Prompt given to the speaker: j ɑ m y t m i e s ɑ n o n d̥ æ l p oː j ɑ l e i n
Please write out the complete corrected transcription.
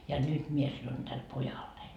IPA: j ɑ n y t m i e s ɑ n o n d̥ æ l p o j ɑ lː e i n

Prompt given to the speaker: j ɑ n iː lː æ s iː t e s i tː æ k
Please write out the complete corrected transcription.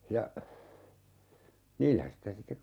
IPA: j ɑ n iː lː æ s i t æ s i tː e k

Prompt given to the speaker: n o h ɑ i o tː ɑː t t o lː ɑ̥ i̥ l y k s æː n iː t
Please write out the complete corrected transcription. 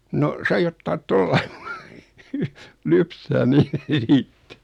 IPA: n o s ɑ i o tː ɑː t t o lː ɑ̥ i̥ l y p s æː n iː t

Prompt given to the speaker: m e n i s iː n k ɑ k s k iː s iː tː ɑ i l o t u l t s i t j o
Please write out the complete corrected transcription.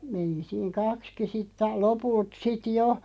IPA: m e n i s iː ŋ k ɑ k s k i s i tː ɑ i l o p u l t s i t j o

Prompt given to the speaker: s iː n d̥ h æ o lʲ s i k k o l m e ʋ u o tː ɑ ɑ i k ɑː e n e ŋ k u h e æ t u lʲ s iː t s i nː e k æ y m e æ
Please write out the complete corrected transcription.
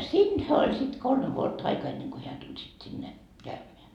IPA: s iː n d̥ h æ o lʲ s i t k o l m e ʋ u o tː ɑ ɑ i k ɑː e nː e ŋ k o h e æ t u lʲ s i t s i nː e k æ y m e æ

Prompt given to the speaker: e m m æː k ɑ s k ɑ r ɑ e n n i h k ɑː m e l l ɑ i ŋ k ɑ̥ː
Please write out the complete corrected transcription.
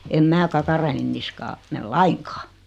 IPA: e m m æː k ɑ k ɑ r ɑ e n n i s k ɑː m e l l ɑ i ŋ k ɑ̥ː

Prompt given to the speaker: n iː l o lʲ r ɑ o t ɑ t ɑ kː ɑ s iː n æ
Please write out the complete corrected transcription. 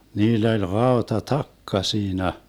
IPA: n iː lː o lʲ r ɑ o t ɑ t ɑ kː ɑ s iː n æ

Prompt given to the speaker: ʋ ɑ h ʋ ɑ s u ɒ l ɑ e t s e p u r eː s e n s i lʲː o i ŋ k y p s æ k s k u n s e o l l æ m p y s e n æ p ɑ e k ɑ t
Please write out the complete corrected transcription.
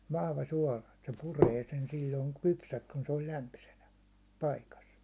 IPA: ʋ ɑ h ʋ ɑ s u ɒ l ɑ e t s e p u r eː s e n s i lʲː o i ŋ k y p s æ k s k u n s e o l l æ m p y s e n æ p ɑ i k ɑ s

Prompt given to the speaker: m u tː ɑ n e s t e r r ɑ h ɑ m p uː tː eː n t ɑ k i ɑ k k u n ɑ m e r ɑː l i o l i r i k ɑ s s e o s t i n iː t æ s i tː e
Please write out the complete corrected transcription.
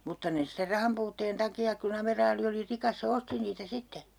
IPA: m u tː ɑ n e s t e r r ɑ h ɑ m p uː tː eː n t ɑ k i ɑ k k u n ɑ m e r ɑː l i o l i r i k ɑ s s e o s t i n iː t æ s i tː e

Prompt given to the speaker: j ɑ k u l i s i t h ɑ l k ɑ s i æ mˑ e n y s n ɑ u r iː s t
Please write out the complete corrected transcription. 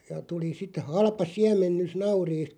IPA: j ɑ t u l i s i t h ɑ l p ɑ s i æ mˑ e nː y s n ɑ u r iː s t

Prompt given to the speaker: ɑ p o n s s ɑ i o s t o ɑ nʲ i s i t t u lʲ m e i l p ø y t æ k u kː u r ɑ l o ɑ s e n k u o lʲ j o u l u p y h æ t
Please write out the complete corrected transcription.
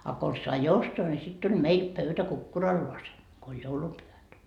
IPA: ɑ k o n s s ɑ i o s t o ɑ nʲ i s i t t u lʲ m e i l p ø y t æ k u kː u r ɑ lː o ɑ s e n k o o lʲ j o u l u p y h æ t

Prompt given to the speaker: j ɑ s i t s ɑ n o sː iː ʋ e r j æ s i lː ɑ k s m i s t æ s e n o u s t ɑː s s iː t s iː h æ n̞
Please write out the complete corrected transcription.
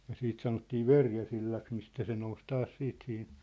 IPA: j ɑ s iː t s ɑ n o tː iː ʋ e r j æ s i lː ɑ k s m i s t æ s e n o u s t ɑː s s iː t s i h i n̞

